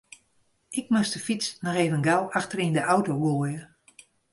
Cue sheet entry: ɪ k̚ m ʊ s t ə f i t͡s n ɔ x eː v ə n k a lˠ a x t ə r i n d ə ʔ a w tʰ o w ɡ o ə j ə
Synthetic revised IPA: ɪ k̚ m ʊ s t ə f i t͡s n ɔ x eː v ə n ɡ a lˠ a x t ə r i n d ə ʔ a w t o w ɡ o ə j ə